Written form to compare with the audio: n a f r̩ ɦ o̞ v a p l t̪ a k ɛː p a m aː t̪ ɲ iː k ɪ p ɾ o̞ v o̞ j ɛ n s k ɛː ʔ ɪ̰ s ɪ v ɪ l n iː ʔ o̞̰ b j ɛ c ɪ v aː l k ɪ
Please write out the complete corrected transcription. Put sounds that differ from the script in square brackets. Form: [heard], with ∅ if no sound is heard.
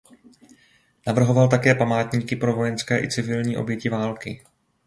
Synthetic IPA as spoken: n a [v] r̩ ɦ o̞ v a [∅] l t̪ a k ɛː p a m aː t̪ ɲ iː k ɪ p ɾ o̞ v o̞ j ɛ n s k ɛː ʔ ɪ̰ [t͡s] ɪ v ɪ l [ɲ] iː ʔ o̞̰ b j ɛ c ɪ v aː l k ɪ